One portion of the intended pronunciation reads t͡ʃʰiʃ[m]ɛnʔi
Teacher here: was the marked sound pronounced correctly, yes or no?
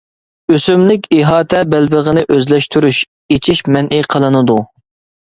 yes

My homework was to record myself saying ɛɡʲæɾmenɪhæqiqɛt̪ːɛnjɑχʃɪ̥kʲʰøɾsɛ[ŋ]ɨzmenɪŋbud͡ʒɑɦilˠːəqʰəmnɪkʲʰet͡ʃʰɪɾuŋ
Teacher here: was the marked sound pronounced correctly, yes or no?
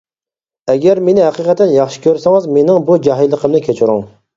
yes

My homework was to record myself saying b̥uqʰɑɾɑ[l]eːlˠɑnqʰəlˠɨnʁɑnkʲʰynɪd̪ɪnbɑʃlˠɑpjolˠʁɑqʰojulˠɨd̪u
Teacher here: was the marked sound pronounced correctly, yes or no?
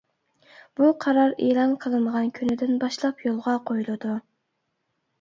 no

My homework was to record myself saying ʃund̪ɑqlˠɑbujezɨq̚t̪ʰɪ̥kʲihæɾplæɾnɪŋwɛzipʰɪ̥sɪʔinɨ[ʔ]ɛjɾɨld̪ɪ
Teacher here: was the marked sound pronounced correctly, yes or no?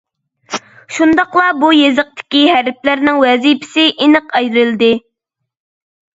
no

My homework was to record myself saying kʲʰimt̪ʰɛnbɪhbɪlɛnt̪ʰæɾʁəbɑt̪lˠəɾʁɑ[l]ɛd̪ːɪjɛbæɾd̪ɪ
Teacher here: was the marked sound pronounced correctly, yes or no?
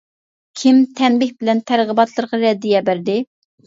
no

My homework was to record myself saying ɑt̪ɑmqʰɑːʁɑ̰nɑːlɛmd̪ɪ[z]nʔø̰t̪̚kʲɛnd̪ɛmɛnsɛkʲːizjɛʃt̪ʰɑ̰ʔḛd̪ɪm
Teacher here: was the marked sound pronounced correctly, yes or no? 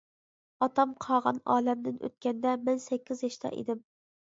no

